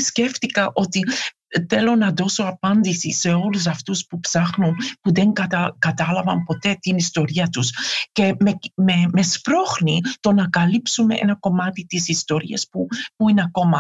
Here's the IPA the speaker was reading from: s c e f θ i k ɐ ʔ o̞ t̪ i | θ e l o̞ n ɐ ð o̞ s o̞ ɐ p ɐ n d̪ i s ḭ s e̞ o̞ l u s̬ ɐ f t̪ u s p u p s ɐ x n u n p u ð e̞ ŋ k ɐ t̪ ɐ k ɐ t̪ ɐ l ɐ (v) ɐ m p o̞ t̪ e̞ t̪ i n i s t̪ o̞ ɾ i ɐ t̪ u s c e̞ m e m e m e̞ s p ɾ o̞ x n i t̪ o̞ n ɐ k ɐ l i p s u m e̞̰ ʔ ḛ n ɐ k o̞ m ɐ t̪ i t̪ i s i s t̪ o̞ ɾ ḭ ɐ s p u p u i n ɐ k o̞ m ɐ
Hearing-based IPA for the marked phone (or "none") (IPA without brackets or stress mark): v